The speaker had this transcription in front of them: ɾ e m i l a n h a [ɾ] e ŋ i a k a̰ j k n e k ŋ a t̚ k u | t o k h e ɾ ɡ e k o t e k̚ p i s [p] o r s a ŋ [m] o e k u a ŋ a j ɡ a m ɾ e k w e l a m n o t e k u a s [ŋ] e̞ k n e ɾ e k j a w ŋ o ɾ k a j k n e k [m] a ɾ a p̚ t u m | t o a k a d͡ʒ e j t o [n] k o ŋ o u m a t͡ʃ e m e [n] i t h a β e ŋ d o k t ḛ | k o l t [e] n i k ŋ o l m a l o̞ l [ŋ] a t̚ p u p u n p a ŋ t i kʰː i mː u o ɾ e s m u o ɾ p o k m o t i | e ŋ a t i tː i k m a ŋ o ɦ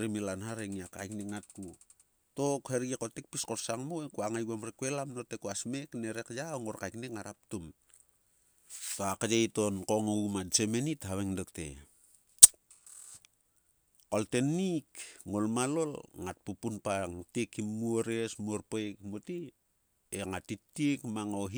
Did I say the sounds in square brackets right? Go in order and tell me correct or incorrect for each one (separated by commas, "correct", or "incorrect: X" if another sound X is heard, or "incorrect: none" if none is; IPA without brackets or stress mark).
correct, incorrect: k, correct, incorrect: m, incorrect: ŋ, correct, correct, correct, correct